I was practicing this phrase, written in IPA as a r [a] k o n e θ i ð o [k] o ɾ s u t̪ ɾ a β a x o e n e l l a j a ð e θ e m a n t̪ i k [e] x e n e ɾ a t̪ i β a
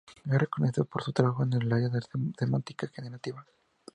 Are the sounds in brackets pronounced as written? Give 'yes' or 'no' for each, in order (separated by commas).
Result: no, no, no